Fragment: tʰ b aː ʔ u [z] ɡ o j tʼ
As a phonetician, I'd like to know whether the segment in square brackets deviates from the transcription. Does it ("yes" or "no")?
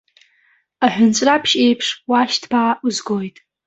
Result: no